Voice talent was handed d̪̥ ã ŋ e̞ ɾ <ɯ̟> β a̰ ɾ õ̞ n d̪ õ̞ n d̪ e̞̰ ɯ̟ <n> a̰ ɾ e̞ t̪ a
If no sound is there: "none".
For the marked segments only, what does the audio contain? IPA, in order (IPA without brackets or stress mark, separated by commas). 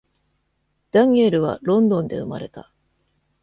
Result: ɯ̟, m